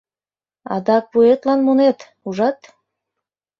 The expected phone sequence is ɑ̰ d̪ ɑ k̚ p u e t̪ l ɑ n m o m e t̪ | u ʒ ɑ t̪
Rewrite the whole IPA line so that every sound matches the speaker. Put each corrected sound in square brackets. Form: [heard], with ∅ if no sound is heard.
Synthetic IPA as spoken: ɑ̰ d̪ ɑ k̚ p u e t̪ l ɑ n m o [n] e t̪ | u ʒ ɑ t̪